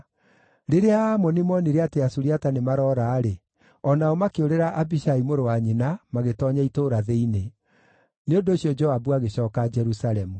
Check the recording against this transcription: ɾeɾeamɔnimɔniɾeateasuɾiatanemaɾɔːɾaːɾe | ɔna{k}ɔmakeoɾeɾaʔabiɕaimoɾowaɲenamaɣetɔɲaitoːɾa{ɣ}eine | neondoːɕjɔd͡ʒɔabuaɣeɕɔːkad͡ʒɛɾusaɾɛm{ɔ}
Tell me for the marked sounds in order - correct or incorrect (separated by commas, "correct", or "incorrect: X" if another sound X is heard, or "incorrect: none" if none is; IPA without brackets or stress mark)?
incorrect: none, incorrect: ð, incorrect: u